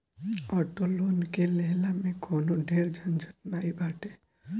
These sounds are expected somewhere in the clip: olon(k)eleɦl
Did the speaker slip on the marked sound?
no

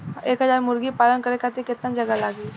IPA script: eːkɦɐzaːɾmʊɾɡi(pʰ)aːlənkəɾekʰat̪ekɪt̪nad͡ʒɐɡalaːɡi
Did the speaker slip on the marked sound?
yes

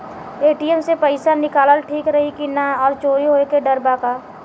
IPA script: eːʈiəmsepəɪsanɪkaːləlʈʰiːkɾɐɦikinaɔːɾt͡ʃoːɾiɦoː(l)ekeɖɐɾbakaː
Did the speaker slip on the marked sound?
yes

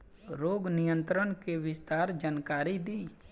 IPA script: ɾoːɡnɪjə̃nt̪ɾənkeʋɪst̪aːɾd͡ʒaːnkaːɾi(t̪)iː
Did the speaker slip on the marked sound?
yes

